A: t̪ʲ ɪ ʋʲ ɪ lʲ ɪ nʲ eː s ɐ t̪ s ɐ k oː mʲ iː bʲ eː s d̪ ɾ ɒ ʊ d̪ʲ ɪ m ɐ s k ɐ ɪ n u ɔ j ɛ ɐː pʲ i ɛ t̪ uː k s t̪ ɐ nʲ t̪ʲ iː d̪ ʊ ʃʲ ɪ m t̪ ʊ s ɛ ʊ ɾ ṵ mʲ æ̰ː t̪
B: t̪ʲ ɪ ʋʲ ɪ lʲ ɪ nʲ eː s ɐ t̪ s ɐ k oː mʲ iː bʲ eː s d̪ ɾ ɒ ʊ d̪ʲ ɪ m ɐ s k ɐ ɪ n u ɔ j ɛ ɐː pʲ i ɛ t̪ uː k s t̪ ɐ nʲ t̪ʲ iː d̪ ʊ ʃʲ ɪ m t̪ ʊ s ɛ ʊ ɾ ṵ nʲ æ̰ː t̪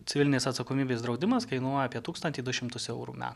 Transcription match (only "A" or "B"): A